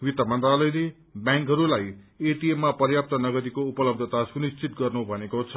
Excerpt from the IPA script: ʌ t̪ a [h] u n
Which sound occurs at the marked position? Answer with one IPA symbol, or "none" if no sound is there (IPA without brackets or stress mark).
s